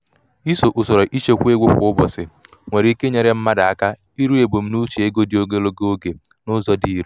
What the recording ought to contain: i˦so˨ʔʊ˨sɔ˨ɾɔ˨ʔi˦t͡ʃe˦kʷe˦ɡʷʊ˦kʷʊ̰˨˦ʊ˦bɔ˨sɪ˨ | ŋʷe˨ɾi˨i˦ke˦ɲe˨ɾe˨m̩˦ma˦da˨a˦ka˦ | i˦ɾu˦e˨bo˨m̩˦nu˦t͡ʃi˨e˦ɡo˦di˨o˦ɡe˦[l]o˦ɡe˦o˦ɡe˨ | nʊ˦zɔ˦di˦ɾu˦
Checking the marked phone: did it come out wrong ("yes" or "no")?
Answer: no